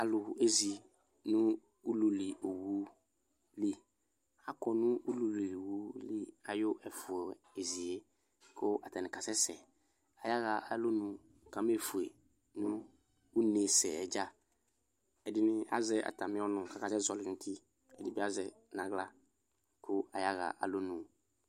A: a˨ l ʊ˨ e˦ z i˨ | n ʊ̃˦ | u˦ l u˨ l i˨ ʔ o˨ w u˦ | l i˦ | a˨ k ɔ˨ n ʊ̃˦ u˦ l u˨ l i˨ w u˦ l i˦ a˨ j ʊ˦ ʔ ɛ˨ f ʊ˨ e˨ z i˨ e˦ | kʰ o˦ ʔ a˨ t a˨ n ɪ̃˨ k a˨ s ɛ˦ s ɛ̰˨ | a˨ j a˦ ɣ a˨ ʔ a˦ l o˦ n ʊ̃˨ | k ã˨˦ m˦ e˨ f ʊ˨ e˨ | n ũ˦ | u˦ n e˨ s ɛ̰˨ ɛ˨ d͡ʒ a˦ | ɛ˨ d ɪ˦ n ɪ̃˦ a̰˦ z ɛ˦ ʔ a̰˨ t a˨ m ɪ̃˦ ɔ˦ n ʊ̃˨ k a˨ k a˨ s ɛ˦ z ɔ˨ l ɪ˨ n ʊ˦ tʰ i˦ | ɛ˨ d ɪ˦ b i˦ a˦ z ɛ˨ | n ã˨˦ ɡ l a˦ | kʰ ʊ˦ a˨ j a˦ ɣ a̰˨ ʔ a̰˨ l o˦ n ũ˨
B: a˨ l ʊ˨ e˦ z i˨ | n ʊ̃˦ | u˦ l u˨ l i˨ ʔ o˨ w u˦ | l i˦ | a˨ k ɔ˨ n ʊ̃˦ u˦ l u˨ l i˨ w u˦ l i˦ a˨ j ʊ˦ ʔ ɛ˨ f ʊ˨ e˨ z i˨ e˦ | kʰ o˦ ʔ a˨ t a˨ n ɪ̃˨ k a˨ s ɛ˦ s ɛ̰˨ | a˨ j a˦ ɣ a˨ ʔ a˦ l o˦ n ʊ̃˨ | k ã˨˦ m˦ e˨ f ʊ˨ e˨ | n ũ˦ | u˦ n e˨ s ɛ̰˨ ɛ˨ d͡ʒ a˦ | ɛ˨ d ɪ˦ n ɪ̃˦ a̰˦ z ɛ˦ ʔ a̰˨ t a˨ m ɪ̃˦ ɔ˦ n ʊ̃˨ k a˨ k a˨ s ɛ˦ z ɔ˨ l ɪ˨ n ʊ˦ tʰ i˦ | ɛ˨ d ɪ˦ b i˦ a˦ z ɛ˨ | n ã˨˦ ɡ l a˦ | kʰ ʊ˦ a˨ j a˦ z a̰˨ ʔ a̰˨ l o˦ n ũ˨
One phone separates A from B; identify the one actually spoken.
A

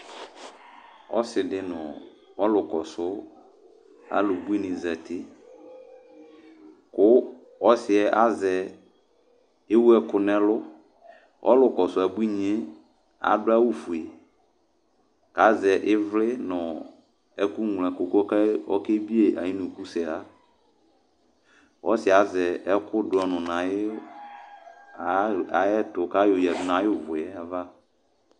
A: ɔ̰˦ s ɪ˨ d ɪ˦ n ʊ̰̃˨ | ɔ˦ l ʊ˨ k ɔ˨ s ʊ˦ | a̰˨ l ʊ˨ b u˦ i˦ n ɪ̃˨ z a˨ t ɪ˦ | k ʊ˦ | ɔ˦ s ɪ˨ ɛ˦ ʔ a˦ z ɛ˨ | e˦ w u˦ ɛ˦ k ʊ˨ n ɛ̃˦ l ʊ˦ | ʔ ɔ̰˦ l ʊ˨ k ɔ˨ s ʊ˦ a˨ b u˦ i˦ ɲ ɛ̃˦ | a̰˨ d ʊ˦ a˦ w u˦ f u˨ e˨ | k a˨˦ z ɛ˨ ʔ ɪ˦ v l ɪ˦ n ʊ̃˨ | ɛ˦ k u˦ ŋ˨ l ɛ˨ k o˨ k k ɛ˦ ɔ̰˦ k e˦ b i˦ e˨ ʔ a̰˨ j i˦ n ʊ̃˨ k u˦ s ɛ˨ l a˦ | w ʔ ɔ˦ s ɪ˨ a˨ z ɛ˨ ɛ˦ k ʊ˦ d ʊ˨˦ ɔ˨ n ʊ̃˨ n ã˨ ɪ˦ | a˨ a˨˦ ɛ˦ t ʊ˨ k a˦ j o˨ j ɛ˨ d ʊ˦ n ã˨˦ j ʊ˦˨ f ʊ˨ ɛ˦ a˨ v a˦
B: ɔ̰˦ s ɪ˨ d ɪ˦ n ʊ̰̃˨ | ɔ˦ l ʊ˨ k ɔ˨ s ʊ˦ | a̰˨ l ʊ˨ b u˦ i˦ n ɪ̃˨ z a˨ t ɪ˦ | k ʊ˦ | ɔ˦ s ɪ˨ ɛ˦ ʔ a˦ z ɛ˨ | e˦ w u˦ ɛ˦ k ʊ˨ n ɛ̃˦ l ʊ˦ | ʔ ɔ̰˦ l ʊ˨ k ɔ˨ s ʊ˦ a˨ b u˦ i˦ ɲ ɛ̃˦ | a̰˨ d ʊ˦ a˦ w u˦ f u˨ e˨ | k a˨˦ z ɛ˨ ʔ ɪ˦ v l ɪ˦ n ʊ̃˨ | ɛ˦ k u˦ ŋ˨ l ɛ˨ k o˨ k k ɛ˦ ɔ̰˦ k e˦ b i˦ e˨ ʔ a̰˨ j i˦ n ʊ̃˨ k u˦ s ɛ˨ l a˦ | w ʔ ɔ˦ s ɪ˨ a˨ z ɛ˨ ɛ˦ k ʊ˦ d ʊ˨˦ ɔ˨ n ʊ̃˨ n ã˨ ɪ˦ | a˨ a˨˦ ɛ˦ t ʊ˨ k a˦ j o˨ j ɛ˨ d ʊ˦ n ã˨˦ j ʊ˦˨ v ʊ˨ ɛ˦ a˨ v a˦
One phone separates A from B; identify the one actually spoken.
B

